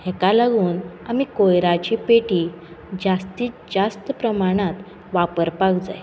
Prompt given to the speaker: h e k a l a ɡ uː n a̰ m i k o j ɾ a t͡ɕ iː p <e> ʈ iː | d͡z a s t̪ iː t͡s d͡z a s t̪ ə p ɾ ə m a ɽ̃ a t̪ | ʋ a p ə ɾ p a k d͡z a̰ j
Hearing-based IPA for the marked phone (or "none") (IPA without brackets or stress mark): e